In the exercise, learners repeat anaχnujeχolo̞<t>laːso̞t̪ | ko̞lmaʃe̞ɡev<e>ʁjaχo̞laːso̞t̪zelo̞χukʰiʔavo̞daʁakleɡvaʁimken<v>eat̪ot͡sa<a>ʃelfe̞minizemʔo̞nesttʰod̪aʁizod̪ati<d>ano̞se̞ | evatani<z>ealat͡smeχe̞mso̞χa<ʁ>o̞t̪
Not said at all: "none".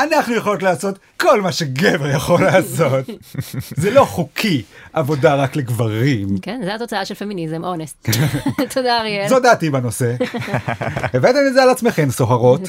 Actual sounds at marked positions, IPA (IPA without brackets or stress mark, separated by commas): t, e, z, a, b, z, ʁ